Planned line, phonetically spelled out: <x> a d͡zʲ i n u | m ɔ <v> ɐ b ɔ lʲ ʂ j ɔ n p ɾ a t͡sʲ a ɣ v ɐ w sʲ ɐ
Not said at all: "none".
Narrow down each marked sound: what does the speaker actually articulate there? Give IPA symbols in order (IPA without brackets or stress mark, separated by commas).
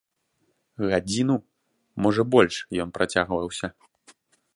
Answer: ɣ, ʐ